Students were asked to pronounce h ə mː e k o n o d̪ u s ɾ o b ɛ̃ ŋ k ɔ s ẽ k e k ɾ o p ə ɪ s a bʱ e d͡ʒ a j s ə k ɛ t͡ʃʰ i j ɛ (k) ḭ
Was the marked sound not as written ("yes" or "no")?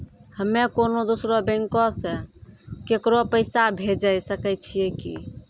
no